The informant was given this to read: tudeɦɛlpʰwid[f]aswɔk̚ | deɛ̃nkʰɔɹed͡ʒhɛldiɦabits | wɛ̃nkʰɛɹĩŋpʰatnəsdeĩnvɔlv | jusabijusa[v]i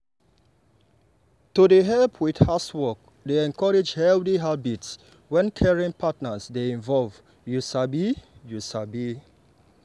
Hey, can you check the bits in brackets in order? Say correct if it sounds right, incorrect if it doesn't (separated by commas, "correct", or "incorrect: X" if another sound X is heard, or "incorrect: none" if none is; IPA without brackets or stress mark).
incorrect: h, incorrect: b